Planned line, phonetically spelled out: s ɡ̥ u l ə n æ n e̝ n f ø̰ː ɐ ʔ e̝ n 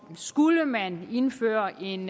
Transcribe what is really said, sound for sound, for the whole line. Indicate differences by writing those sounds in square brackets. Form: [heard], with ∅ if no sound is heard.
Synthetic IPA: s ɡ̥ u l ə [m] æ n e̝ n f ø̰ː ɐ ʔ e̝ n